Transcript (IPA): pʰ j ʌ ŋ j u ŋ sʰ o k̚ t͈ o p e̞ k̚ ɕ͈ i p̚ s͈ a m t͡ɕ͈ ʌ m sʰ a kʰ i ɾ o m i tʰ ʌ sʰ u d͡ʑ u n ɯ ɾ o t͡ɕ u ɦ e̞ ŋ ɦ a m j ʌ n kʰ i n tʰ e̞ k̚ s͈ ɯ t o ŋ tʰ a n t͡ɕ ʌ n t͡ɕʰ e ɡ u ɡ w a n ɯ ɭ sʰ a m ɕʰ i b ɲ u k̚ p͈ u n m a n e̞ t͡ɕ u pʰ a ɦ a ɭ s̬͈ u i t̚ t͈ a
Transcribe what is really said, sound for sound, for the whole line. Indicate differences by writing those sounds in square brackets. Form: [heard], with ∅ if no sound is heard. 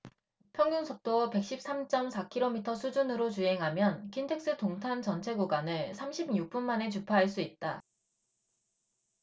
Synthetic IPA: pʰ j ʌ ŋ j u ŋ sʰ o k̚ t͈ o p e̞ k̚ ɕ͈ i p̚ s͈ a m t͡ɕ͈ ʌ m sʰ a kʰ i ɾ o m i tʰ ʌ sʰ u d͡ʑ u n ɯ ɾ o t͡ɕ u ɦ e̞ ŋ ɦ a m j ʌ n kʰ i n tʰ e̞ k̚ s͈ ɯ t o ŋ tʰ a n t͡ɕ ʌ n t͡ɕʰ e ɡ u ɡ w a n ɯ ɭ sʰ a m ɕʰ i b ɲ u k̚ p͈ u n m a n e̞ t͡ɕ u pʰ a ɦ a ɭ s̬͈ u i t̚ t͈ a